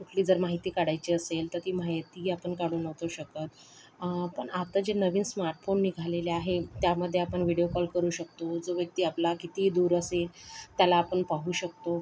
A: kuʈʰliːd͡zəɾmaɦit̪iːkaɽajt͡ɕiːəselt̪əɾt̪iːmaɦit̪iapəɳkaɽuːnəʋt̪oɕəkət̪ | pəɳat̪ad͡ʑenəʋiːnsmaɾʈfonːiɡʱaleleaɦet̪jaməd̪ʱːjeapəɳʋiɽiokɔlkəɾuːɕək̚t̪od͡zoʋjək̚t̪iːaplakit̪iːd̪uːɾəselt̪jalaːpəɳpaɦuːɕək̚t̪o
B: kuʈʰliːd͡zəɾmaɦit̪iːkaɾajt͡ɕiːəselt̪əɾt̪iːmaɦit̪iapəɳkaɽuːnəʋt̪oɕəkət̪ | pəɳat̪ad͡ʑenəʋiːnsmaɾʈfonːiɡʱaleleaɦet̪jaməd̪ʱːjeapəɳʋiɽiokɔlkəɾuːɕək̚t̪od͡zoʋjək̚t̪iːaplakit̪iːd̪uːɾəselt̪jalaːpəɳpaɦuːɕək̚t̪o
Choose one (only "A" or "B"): A